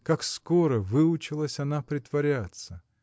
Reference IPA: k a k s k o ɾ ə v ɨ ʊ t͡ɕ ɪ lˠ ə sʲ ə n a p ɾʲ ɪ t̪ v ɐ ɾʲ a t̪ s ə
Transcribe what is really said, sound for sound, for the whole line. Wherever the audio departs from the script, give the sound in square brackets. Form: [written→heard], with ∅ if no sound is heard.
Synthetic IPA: k a k s k o ɾ ə v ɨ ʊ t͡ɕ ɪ lˠ ə sʲ [ə→ɐ] n a p ɾʲ ɪ t̪ v ɐ ɾʲ a t̪ s ə